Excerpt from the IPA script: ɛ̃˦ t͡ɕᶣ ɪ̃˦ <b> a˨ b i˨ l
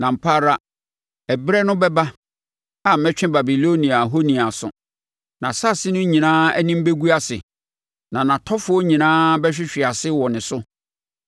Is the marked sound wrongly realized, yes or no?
no